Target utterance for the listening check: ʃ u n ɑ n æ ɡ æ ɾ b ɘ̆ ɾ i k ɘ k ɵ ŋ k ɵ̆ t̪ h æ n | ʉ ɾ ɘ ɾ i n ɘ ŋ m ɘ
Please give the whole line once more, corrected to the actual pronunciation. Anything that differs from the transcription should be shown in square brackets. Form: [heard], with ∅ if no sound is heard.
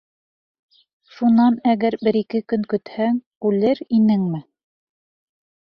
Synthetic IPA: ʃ u n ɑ n æ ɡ æ ɾ b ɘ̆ ɾ i k ɘ k ɵ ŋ k ɵ̆ t̪ h æ [ŋ] | ʉ [l] ɘ ɾ i n ɘ ŋ m ɘ